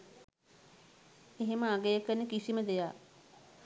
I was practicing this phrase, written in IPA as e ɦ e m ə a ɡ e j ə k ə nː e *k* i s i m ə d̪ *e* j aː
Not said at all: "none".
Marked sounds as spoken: k, e

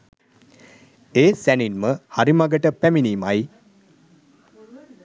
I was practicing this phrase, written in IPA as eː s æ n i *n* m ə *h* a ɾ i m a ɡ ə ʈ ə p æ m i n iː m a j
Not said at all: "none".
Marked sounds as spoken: n, h

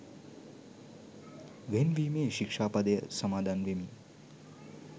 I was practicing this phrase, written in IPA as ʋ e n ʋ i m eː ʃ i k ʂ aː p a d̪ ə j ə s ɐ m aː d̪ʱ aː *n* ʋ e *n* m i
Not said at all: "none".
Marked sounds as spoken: n, none

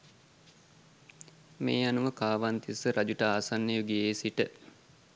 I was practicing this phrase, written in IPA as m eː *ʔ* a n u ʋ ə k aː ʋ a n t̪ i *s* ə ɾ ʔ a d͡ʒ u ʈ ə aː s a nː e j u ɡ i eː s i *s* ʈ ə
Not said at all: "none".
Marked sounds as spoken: none, s, none

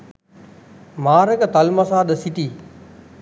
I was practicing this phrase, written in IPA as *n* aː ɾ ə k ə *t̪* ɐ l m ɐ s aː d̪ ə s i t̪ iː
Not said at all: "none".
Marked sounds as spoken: m, t̪

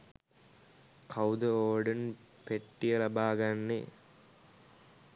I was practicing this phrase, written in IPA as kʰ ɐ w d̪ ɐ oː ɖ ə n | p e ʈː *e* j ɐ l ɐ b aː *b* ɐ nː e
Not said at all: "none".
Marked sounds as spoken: i, ɡ

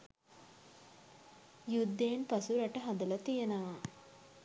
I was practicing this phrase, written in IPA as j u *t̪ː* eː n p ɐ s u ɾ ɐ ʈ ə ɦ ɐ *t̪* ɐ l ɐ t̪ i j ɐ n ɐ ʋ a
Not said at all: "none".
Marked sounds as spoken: d̪ː, d̪

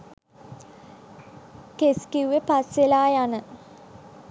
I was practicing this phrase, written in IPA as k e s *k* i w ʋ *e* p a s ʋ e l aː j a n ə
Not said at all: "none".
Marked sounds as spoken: k, e

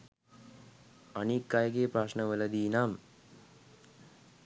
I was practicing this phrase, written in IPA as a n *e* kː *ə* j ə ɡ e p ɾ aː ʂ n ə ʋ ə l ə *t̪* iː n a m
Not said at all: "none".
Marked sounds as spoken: i, a, d̪

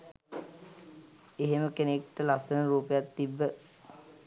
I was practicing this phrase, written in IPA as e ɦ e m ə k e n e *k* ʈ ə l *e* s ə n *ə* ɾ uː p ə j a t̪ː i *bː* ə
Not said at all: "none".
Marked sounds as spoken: k, a, ə, bː

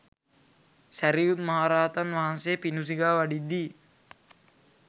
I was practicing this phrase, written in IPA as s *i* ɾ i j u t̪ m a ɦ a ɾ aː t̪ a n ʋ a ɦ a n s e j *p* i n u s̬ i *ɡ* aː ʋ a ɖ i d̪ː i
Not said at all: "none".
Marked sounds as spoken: æ, p, ɡ

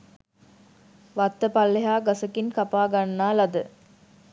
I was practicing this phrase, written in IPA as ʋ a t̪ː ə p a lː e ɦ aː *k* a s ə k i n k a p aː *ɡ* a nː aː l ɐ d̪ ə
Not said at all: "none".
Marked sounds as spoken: ɡ, ɡ

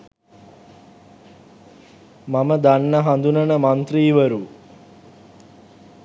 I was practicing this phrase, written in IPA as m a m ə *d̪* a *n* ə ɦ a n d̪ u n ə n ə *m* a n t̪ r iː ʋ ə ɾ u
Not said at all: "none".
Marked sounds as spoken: d̪, nː, m

